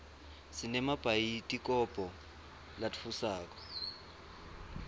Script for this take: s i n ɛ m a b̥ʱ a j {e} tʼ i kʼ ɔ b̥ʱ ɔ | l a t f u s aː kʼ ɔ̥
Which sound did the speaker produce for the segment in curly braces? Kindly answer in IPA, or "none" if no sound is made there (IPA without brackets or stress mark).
i